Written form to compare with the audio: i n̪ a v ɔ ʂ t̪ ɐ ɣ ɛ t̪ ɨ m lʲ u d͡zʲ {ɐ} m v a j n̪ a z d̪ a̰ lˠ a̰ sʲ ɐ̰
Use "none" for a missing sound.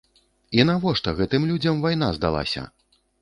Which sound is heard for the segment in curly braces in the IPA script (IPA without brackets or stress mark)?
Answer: ɐ